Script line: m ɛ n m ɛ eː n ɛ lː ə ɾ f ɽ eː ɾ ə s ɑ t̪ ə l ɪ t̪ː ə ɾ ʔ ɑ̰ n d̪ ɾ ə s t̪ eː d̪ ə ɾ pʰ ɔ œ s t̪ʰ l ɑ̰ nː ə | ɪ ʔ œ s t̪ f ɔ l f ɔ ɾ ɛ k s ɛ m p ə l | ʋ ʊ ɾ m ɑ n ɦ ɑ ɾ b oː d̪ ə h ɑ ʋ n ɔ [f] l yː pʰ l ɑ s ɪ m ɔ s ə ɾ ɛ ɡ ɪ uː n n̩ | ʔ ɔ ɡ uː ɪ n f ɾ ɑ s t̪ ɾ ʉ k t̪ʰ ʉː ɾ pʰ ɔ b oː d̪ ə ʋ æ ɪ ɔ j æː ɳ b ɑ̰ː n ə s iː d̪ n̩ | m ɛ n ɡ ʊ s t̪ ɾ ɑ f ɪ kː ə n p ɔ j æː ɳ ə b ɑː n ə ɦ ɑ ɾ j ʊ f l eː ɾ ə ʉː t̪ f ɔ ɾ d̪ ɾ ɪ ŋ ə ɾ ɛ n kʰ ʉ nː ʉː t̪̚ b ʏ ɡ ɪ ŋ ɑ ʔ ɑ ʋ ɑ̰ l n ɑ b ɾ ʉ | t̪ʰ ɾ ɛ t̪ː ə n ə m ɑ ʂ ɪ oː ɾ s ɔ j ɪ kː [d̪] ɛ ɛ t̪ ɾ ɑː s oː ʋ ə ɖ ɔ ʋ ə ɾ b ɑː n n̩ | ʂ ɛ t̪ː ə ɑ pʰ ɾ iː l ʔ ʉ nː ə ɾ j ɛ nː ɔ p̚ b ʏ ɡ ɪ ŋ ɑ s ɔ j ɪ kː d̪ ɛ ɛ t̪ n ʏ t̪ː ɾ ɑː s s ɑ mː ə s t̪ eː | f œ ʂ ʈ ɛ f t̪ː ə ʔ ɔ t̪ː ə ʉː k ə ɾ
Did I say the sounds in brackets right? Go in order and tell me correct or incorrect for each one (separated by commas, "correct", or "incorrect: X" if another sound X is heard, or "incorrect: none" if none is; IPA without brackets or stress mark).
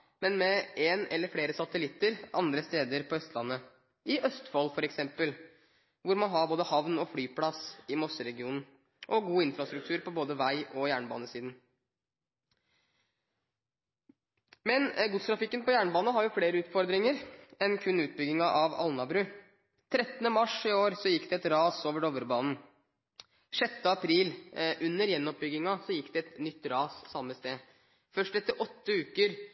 correct, correct